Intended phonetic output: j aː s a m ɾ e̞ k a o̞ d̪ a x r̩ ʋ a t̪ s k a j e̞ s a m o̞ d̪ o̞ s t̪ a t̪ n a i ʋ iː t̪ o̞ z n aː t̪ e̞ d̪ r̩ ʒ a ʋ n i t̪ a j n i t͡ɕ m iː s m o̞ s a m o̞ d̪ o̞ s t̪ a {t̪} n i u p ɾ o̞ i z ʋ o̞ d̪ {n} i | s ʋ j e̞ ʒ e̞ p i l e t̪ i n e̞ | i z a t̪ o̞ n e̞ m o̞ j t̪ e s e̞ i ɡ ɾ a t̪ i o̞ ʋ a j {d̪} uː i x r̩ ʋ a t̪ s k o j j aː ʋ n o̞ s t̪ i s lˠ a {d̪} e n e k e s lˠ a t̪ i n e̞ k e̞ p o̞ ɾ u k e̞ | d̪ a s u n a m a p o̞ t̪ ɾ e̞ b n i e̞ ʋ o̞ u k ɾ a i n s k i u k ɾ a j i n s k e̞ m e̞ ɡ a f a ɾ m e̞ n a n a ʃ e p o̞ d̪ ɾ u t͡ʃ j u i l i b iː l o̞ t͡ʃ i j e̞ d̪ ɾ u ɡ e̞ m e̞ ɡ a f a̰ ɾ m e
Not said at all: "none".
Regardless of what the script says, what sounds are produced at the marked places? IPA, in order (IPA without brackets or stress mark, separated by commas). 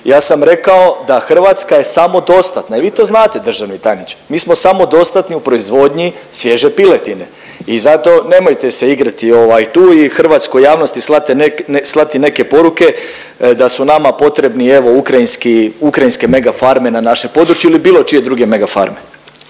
t̪, ɲ, t̪, t̪